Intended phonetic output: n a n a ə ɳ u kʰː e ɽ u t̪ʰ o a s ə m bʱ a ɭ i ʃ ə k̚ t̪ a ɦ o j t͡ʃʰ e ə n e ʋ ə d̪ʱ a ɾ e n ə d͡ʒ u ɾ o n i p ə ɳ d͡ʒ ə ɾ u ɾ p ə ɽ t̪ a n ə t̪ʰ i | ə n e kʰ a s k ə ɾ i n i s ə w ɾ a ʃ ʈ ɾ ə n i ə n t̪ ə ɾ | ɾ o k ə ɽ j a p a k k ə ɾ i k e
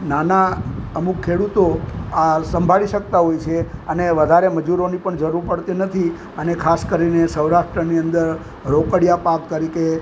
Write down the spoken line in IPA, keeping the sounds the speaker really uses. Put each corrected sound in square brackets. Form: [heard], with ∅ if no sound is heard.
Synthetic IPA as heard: n a n a ə [m] u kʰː e ɽ u [t̪] o a s ə m bʱ a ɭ i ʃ ə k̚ t̪ a ɦ o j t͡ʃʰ e ə n e ʋ ə d̪ʱ a ɾ e [m] ə d͡ʒ u ɾ o n i p ə ɳ d͡ʒ ə ɾ u ɾ p ə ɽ t̪ [i] n ə t̪ʰ i | ə n e kʰ a s k ə ɾ i n [e] s ə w ɾ a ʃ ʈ ɾ ə n i ə n [d̪] ə ɾ | ɾ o k ə ɽ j a p a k k ə ɾ i k e